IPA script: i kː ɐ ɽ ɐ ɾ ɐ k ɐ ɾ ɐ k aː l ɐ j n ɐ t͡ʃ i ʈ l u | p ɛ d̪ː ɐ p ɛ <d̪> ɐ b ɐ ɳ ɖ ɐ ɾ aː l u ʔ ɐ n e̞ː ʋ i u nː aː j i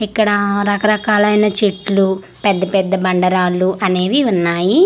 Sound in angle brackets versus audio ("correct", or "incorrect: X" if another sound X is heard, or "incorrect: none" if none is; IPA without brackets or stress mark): incorrect: d̪ː